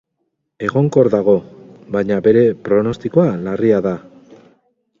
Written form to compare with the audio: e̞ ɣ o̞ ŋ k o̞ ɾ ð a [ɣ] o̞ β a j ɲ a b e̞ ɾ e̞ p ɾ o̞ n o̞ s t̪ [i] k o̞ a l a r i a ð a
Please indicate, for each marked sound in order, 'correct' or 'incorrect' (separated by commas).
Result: correct, correct